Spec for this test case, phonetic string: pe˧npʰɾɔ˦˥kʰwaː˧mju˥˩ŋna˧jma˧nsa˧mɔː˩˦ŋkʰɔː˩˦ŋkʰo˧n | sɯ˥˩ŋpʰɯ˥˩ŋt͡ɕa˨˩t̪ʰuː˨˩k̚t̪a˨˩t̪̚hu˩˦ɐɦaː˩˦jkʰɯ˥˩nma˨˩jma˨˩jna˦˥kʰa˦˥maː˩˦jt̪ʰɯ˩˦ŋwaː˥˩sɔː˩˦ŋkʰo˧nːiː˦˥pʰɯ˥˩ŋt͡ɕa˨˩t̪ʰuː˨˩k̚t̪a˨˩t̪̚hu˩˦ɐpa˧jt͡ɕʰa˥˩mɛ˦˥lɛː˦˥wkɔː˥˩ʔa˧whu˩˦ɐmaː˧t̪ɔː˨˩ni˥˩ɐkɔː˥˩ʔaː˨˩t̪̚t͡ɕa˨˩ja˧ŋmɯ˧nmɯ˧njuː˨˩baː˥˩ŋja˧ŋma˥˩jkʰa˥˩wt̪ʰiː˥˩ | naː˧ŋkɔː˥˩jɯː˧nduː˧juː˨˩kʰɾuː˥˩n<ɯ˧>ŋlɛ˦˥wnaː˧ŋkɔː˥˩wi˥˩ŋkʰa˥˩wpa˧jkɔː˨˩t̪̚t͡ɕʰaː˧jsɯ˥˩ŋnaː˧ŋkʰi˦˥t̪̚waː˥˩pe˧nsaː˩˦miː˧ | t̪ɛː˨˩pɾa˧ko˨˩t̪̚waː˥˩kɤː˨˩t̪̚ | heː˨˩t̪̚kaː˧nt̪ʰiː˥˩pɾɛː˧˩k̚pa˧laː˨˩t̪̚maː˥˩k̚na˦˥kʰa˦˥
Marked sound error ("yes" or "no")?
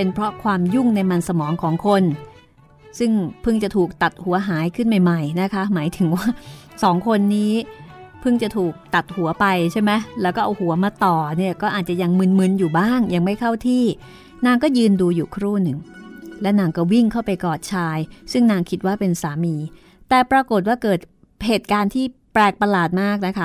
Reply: yes